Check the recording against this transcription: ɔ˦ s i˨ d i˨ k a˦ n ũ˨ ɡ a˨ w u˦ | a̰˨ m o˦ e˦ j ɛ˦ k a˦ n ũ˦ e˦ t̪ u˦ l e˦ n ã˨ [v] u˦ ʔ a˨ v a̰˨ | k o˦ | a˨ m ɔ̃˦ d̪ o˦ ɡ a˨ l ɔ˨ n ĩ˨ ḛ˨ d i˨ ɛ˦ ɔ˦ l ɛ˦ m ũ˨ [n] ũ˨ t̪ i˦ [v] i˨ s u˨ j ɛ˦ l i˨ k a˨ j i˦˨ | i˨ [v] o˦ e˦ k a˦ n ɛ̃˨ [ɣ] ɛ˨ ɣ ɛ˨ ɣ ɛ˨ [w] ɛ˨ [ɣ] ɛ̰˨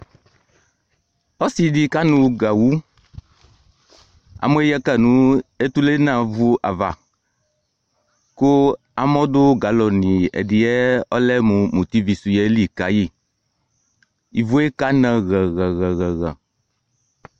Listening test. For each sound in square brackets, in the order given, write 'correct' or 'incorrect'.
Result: correct, incorrect: m, correct, correct, correct, incorrect: ɣ, correct

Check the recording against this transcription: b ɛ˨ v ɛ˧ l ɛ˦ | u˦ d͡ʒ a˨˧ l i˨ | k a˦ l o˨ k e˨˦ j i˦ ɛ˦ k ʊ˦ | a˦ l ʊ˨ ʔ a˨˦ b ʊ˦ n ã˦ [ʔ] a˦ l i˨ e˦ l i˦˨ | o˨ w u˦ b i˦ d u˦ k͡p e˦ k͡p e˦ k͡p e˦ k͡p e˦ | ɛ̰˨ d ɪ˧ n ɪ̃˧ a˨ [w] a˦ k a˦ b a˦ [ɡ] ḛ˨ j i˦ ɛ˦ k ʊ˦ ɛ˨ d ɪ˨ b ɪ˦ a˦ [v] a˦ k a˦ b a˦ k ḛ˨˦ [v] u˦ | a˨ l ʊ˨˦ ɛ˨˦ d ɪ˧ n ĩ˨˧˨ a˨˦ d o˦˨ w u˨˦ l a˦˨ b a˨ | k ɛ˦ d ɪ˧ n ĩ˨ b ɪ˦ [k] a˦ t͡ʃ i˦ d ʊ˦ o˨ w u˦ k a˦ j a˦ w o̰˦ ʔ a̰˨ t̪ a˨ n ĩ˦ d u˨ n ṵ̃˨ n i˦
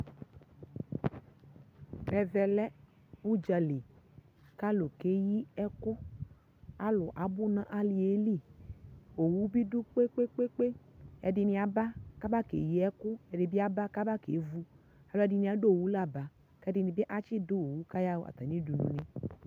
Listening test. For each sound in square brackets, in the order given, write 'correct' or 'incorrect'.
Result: correct, incorrect: b, incorrect: k, incorrect: b, correct, incorrect: ʔ

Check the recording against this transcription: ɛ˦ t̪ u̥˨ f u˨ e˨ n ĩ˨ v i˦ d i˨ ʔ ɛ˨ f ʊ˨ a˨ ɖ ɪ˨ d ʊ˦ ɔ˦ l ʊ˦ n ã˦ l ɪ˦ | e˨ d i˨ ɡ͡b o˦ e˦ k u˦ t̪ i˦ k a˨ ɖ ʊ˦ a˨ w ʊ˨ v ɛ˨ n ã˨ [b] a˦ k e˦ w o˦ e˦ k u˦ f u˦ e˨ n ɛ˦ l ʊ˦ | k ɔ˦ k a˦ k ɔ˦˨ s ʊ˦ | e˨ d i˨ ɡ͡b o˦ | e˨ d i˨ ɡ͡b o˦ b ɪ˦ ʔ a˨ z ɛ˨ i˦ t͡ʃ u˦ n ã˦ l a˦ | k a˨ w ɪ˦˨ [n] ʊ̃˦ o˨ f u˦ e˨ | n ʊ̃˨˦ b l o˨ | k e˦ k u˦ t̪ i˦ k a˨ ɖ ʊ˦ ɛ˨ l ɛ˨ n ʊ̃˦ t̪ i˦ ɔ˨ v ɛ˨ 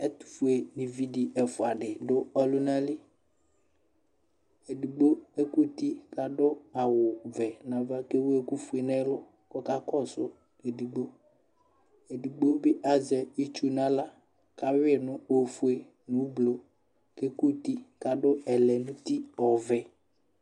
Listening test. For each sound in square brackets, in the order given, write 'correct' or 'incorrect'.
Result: incorrect: v, correct

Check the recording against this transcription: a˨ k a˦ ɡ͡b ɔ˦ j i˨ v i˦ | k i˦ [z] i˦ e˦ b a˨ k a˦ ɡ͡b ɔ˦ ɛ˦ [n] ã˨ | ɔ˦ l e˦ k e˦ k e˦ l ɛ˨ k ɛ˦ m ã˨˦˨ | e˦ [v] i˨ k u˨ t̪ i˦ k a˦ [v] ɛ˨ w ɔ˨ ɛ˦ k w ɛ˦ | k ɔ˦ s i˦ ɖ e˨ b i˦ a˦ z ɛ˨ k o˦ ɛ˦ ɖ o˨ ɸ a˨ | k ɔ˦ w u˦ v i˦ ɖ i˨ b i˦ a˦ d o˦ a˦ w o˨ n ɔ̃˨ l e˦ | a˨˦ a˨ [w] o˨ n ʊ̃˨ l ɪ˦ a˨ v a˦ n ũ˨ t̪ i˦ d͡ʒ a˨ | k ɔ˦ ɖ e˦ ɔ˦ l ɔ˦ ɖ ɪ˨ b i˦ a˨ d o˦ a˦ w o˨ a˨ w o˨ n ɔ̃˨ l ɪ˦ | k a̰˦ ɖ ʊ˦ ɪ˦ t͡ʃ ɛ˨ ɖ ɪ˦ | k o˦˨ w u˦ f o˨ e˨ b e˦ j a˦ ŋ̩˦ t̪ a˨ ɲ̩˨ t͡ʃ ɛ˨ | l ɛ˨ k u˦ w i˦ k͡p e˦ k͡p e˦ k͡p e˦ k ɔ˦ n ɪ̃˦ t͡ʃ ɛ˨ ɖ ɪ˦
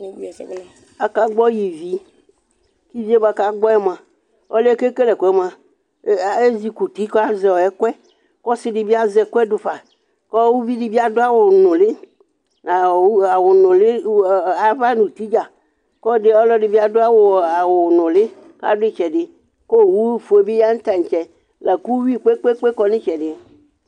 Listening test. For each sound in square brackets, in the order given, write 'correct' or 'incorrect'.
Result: incorrect: v, incorrect: m, incorrect: z, incorrect: z, correct

